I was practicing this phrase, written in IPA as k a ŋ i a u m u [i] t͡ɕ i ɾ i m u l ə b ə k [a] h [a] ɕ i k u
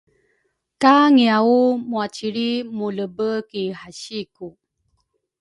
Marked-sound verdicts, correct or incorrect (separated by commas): incorrect, incorrect, correct